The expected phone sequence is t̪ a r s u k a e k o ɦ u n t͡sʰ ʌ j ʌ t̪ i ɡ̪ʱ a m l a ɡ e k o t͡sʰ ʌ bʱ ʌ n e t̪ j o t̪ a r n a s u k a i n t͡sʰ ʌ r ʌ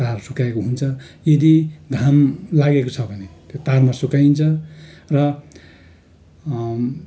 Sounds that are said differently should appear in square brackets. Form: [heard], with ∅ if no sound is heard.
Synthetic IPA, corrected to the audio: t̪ a r s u k a e k o ɦ u n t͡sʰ ʌ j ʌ [d̪] i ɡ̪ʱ a m l a ɡ e k o t͡sʰ ʌ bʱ ʌ n e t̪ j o t̪ a r [m] a s u k a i n t͡sʰ ʌ r ʌ